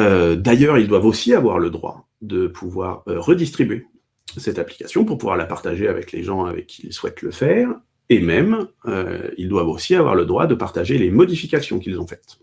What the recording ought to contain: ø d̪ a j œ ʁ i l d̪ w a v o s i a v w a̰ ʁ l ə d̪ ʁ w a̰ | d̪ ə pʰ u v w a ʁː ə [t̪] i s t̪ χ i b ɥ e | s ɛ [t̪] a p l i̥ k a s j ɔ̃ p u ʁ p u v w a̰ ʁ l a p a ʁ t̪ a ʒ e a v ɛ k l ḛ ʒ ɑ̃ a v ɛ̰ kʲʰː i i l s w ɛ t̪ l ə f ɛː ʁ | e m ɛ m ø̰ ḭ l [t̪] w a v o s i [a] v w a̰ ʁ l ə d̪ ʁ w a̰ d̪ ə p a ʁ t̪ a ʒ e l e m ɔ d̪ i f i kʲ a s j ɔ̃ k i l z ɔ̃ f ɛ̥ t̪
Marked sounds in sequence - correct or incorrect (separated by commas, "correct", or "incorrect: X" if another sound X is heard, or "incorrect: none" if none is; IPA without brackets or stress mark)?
incorrect: d̪, correct, incorrect: d̪, correct